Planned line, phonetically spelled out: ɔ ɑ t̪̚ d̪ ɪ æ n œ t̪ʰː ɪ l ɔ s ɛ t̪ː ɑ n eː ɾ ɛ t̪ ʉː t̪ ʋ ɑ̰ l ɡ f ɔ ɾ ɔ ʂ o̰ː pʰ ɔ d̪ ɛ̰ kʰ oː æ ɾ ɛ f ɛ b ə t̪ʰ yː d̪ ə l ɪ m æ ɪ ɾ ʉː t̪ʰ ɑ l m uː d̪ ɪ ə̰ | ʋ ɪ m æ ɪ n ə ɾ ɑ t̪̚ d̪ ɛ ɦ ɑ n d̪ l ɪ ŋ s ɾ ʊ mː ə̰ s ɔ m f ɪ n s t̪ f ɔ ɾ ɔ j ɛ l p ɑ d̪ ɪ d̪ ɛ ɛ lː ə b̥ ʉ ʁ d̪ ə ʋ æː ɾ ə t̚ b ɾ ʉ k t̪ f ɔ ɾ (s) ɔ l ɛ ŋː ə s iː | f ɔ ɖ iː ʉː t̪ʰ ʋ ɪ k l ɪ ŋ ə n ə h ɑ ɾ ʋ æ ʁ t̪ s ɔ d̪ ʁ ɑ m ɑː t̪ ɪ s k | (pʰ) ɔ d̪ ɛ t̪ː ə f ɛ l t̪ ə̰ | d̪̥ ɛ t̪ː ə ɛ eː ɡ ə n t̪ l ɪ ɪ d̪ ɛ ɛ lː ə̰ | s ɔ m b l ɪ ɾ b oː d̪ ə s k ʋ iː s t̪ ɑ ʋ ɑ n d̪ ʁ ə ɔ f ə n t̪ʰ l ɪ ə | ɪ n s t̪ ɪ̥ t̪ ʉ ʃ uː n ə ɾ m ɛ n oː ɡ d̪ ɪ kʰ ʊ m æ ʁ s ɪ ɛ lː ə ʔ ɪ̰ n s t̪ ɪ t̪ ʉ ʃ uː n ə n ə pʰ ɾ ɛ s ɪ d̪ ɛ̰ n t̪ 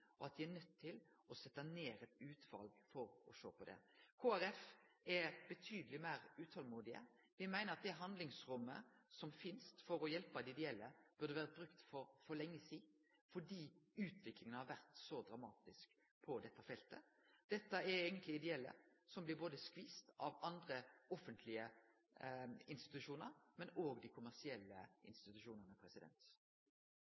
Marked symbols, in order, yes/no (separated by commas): no, yes